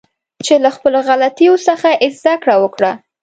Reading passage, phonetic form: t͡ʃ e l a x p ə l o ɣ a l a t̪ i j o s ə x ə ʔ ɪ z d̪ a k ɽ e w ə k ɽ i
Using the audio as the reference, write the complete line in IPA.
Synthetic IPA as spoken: t͡ʃ e l a x p ə l o ɣ a l a t̪ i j o s ə x a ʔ ɪ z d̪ a k ɽ a w ə k ɽ a